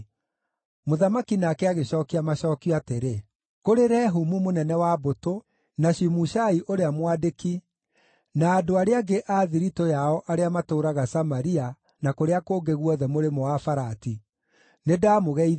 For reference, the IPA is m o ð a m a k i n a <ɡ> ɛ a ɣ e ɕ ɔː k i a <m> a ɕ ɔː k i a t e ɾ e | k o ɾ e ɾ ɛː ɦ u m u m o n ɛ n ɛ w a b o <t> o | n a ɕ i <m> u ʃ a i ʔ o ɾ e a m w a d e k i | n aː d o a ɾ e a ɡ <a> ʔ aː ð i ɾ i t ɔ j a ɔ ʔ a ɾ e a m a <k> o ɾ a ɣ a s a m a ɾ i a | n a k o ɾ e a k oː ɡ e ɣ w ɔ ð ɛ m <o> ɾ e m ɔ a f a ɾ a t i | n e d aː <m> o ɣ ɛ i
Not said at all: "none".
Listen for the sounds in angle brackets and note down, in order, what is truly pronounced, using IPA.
k, m, t, m, e, t, o, m

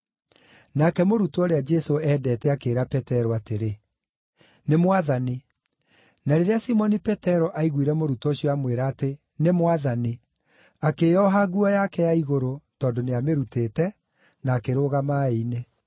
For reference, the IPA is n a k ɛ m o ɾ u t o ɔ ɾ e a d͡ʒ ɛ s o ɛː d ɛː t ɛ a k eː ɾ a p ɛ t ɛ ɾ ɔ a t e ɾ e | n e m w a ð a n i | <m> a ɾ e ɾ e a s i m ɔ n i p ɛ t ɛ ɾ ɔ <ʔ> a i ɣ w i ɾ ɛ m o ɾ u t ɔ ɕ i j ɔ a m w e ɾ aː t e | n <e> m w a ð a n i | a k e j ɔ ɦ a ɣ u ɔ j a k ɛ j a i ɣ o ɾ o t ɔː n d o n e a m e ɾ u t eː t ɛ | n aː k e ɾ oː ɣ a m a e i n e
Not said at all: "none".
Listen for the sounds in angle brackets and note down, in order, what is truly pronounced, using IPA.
n, ʔ, e

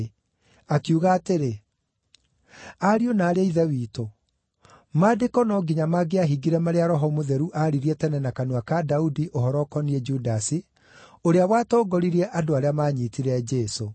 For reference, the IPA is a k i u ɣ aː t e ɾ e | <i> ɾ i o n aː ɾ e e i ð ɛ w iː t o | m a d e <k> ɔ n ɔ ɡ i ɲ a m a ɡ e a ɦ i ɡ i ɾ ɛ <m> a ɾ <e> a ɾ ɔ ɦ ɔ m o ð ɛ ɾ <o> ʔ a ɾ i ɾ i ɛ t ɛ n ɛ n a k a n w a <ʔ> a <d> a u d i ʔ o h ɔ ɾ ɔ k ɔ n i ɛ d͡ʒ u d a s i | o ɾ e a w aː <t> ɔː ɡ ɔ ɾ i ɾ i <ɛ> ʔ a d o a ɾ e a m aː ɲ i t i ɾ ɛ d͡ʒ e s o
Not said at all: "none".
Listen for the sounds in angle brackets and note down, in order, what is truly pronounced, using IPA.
a, k, m, e, u, k, d, t, ɛ

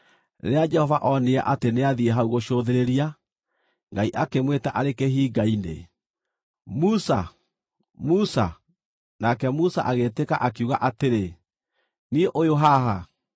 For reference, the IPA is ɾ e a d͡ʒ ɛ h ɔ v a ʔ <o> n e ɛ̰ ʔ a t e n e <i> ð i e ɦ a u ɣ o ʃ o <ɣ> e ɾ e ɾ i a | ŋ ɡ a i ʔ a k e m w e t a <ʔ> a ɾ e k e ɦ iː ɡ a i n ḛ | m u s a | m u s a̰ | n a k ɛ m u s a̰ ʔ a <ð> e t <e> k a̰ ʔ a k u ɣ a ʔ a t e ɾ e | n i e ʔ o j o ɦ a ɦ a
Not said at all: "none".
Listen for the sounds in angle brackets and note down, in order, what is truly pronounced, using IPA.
ɔ, a, ð, ʔ, ɣ, e

